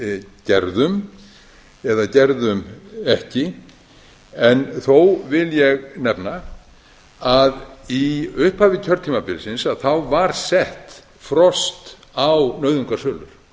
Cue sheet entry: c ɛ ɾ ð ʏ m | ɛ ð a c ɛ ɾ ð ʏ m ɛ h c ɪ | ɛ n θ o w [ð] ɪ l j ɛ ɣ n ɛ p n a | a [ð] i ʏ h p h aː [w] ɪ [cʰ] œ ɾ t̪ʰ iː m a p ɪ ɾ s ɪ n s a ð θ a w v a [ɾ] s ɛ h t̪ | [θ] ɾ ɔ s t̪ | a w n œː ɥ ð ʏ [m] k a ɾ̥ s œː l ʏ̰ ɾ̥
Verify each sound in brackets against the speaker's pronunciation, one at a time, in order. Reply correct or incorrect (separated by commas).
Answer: incorrect, correct, incorrect, correct, correct, incorrect, incorrect